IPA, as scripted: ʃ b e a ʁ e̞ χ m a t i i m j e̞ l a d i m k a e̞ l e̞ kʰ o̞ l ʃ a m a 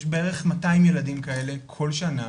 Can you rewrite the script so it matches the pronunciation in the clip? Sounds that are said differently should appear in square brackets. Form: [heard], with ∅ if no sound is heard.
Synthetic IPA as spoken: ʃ b e [e] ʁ e̞ χ m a t [a] i m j e̞ l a d i m k a e̞ l e̞ kʰ o̞ l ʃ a [n] a